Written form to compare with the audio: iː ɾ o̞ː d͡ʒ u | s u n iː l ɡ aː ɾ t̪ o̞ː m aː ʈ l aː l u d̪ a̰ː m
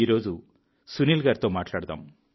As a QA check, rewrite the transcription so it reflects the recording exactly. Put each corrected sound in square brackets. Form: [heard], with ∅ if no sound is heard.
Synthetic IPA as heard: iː ɾ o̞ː d͡ʒ u | s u n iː l ɡ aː ɾ t̪ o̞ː m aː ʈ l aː [ɽ] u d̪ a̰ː m